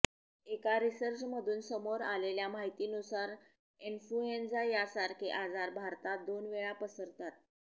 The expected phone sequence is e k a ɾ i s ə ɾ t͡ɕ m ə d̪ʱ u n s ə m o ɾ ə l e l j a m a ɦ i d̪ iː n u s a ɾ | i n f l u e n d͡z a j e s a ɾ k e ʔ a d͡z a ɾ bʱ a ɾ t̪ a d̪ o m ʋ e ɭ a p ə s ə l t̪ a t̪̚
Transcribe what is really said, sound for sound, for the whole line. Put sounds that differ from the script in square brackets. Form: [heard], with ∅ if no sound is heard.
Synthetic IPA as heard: e k a ɾ i s ə ɾ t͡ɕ m ə d̪ʱ [uː] n s ə m o ɾ [a] l e l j a m a ɦ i [t̪] iː n u s a ɾ | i n f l u e n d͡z a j [a] s a ɾ k e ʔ a d͡z a ɾ bʱ a ɾ t̪ a d̪ o [n] ʋ e ɭ a p ə s ə [ɾ] t̪ a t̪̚